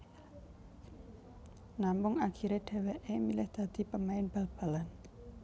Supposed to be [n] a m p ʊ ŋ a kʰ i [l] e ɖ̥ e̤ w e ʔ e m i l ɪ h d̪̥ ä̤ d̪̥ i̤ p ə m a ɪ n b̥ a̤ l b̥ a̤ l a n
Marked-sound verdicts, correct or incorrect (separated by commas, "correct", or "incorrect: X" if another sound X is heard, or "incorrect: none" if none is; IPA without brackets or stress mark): correct, incorrect: ɾ